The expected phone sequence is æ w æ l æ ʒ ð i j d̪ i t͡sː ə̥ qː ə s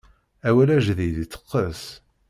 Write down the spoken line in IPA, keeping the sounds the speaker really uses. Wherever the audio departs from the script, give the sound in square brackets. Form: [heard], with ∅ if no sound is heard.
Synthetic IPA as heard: æ w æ l æ ʒ ð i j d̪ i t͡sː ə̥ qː ə s